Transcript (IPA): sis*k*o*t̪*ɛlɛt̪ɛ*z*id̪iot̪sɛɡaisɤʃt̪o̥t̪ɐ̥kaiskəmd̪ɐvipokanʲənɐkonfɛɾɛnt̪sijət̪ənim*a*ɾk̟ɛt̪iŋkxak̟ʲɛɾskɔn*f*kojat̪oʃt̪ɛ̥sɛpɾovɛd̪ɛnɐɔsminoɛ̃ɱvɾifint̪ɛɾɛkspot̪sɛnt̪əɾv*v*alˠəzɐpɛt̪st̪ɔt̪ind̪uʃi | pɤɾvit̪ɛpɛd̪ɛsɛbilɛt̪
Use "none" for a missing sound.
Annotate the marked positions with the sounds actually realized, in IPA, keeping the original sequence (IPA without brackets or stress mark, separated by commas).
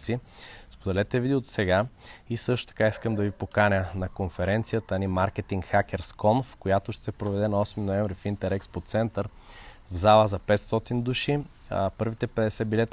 p, d̪, v, a, f, z